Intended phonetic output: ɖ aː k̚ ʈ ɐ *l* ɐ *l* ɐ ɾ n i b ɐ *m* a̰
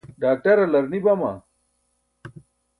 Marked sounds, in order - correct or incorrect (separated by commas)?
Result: incorrect, correct, correct